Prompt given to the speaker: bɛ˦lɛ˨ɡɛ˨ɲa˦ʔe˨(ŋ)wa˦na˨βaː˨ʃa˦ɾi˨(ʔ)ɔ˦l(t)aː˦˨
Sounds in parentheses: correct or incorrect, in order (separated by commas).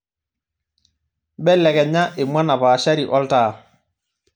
incorrect, correct, correct